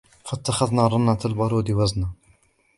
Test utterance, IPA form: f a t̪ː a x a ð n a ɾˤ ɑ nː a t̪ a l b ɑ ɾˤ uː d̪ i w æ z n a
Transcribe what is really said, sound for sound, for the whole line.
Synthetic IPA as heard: f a t̪ː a x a ð n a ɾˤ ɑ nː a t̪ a l b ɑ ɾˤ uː d̪ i w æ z n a